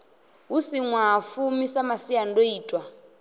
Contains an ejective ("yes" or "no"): yes